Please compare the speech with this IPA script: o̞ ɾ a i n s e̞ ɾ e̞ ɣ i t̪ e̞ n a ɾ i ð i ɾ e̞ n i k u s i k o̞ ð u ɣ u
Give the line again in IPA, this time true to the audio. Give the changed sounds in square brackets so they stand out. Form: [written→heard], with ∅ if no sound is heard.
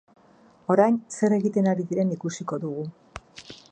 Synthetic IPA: o̞ ɾ a [i→j] n s e̞ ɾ e̞ ɣ i t̪ e̞ n a ɾ i ð i ɾ e̞ n i k u s i k o̞ ð u ɣ u